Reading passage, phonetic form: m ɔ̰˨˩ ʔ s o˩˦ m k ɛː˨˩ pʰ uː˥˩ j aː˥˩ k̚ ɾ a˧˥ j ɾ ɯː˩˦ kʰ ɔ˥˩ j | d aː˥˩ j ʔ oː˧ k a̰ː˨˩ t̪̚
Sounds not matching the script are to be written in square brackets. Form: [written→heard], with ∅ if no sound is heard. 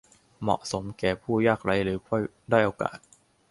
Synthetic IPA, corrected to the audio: m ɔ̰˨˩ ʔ s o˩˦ m k ɛː˨˩ pʰ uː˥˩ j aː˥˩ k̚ ɾ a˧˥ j ɾ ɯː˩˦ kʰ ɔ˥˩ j | d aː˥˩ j ʔ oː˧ k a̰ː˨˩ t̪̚

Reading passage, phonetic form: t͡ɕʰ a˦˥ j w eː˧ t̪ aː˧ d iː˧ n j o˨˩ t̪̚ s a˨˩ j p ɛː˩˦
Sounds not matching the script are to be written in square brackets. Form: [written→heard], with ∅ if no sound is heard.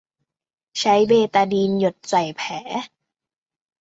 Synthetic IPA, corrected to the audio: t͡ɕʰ a˦˥ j [w→b] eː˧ t̪ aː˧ d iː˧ n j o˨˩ t̪̚ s a˨˩ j [p→pʰ] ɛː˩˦

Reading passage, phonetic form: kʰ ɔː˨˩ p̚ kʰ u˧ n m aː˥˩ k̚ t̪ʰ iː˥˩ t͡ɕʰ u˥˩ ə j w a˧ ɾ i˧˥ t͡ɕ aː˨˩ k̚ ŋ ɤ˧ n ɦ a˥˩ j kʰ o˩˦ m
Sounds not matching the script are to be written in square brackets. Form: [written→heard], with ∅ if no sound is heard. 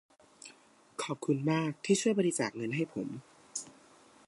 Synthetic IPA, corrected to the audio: kʰ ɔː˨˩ p̚ kʰ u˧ n m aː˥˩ k̚ t̪ʰ iː˥˩ t͡ɕʰ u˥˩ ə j [w→b] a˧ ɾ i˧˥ t͡ɕ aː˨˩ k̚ ŋ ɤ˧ n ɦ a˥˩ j [kʰ→pʰ] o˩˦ m

